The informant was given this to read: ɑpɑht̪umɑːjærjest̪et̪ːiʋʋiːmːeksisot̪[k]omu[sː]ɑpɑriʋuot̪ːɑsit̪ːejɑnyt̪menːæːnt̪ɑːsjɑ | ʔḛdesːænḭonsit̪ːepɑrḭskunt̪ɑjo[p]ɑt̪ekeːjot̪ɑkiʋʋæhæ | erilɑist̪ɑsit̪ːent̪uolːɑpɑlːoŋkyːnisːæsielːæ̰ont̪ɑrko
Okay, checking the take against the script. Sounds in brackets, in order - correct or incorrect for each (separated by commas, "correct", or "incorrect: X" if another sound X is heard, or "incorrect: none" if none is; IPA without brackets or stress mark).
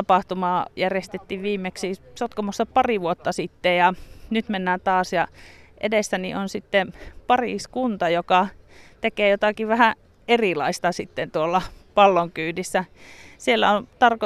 correct, correct, incorrect: k